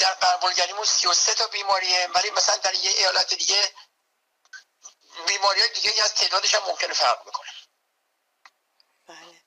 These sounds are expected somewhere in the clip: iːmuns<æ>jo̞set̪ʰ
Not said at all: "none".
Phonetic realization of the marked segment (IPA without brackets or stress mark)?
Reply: i